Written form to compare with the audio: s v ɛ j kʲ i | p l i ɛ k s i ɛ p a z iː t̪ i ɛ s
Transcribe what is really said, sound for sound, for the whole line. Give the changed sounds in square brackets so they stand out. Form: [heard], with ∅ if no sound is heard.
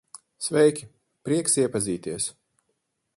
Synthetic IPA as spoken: s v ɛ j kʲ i | p [ɾ] i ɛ k s i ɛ p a z iː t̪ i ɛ s